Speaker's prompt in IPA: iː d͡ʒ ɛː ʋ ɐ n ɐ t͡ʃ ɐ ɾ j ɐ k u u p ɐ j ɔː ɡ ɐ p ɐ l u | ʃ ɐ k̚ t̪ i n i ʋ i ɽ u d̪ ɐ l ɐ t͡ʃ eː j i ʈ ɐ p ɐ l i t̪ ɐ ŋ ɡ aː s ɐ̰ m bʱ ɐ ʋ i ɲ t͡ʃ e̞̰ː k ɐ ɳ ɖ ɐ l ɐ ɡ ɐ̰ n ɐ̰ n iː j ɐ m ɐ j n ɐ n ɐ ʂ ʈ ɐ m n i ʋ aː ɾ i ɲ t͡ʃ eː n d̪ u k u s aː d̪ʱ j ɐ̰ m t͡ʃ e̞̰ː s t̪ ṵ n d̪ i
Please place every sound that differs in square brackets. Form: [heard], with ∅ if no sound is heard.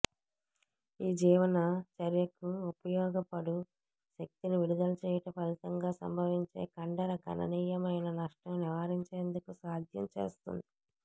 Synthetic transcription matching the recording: iː d͡ʒ [iː] ʋ ɐ n ɐ t͡ʃ ɐ ɾ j ɐ k u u p ɐ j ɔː ɡ ɐ p ɐ [ɽ] u | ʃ ɐ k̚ t̪ i n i ʋ i ɽ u d̪ ɐ l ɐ t͡ʃ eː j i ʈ ɐ p ɐ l i t̪ ɐ ŋ ɡ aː s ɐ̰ m bʱ ɐ ʋ i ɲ t͡ʃ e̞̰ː k ɐ ɳ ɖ ɐ [ɾ] ɐ ɡ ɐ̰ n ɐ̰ n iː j ɐ m ɐ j n ɐ n ɐ ʂ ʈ ɐ m n i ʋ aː ɾ i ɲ t͡ʃ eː n d̪ u k u s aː d̪ʱ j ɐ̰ m t͡ʃ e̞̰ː s t̪ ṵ n d̪ i